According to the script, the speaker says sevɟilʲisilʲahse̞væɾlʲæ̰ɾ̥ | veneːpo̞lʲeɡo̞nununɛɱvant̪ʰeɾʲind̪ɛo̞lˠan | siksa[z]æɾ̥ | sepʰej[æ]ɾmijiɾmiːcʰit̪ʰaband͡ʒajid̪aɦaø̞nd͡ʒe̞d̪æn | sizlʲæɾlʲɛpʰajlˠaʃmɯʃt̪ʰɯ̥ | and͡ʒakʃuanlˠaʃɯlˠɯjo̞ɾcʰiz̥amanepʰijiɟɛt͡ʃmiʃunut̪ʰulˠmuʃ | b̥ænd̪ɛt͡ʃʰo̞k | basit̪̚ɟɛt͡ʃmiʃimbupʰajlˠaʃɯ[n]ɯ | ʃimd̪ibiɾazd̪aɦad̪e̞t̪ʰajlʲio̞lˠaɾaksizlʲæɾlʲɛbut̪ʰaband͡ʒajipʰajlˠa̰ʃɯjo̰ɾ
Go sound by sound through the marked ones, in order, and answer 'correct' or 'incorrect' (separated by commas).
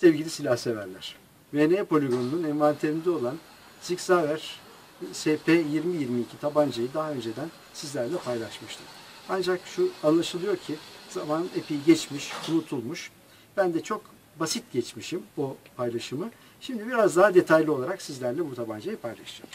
incorrect, incorrect, incorrect